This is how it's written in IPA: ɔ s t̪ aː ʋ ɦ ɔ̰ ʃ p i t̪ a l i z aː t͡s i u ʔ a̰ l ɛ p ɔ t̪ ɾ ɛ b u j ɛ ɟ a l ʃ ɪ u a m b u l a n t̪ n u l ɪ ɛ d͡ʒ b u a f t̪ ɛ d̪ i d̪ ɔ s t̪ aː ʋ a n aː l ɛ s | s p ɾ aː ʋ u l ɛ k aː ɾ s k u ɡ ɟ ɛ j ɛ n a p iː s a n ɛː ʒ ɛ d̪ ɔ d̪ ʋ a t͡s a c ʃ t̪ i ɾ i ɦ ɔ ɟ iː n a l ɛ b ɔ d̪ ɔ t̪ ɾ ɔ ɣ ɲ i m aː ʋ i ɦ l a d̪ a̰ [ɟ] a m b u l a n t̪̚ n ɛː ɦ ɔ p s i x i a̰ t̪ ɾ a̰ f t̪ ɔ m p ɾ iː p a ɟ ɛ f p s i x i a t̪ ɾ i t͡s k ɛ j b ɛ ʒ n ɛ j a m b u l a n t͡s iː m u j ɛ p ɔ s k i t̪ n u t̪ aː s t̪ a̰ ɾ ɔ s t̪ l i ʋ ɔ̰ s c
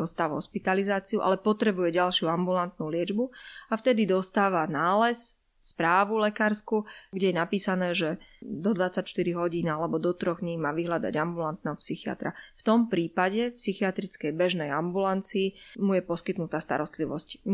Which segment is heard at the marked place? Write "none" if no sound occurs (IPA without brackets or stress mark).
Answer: ɟ